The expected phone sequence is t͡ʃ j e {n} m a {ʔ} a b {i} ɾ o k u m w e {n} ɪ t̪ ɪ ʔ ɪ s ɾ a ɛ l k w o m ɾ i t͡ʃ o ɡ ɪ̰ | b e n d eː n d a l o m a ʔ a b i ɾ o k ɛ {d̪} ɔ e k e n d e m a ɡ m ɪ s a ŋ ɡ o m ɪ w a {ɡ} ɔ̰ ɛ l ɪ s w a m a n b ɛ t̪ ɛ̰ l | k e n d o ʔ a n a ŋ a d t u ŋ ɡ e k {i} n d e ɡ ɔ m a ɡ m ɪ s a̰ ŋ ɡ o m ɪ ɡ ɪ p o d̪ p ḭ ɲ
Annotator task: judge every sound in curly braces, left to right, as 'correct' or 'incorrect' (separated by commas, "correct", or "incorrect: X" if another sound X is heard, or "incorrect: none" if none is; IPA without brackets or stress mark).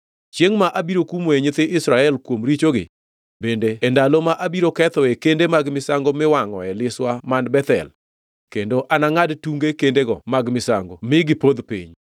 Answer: incorrect: ŋ, correct, correct, incorrect: ɲ, incorrect: t̪, incorrect: ŋ, incorrect: e